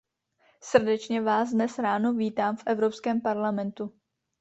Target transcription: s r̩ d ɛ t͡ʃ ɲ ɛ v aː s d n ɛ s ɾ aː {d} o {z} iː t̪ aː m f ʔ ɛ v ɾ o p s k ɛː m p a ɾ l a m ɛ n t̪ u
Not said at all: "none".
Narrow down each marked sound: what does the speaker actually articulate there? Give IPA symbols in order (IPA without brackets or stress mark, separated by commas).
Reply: n, v